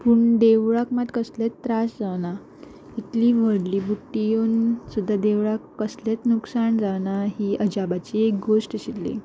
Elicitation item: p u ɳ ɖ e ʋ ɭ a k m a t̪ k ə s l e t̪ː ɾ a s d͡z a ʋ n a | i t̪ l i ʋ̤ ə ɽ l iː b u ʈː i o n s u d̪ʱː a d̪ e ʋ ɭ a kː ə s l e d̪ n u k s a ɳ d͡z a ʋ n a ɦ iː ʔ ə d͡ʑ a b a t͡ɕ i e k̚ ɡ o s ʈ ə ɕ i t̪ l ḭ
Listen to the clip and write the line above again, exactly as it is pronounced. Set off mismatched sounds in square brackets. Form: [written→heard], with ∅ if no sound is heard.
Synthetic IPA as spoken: p u ɳ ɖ e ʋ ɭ a k m a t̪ k ə s l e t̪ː ɾ a s d͡z a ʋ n a | i t̪ l i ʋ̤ ə ɽ l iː b u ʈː i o n s u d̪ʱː a d̪ e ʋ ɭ a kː ə s l e [d̪→t̪] n u k s a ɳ d͡z a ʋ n a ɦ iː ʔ ə d͡ʑ a b a t͡ɕ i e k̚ ɡ o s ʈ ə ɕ i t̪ l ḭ